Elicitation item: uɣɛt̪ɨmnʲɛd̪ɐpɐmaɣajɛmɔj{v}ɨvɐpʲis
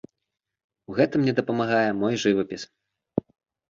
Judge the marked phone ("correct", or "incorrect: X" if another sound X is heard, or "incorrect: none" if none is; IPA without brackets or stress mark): incorrect: ʐ